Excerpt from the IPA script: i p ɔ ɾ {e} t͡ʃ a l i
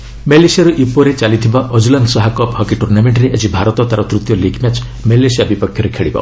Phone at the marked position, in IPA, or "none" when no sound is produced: e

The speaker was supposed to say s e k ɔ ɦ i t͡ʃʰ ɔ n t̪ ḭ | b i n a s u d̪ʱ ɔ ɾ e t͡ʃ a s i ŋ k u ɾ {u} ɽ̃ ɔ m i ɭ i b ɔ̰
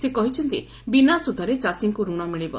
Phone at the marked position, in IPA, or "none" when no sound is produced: u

